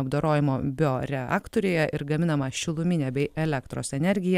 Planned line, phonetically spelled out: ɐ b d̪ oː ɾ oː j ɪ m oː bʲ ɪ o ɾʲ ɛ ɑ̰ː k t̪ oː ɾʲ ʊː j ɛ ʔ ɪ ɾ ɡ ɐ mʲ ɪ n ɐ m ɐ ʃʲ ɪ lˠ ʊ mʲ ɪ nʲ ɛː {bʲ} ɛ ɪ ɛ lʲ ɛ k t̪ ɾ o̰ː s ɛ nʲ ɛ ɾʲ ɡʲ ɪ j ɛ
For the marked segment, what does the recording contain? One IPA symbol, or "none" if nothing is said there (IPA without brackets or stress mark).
bʲ